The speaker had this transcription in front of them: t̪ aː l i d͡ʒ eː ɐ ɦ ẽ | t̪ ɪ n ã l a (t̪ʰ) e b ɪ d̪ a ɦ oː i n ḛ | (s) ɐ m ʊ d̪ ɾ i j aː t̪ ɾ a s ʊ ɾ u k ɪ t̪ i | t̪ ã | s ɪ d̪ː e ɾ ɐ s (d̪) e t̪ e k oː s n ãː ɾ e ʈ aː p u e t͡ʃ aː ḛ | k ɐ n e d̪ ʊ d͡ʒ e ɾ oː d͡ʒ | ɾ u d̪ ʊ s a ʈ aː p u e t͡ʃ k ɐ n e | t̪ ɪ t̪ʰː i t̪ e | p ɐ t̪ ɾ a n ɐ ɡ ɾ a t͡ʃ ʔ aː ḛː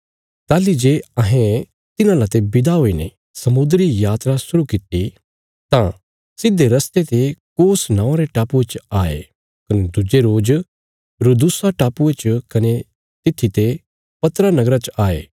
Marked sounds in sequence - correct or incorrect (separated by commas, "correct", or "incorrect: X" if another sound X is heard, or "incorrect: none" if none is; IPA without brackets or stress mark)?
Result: incorrect: t̪, correct, incorrect: t̪